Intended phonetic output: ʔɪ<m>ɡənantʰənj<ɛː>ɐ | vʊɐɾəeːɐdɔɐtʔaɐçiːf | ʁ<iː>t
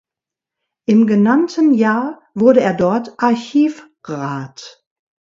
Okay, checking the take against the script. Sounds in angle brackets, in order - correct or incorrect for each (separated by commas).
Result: correct, incorrect, incorrect